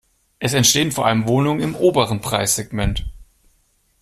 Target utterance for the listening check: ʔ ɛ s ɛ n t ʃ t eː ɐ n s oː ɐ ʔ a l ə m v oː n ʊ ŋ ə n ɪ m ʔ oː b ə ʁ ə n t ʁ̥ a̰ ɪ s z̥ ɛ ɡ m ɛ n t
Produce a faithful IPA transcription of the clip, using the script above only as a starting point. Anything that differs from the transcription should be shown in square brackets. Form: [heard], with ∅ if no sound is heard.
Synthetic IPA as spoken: ʔ ɛ s ɛ n t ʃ t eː [ə] n [f] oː ɐ ʔ a l ə m v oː n ʊ ŋ ə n ɪ m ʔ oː b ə ʁ ə n [p] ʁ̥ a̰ ɪ s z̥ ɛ ɡ m ɛ n t